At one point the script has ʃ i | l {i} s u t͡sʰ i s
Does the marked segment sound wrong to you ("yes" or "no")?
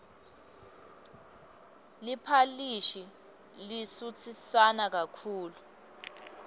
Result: no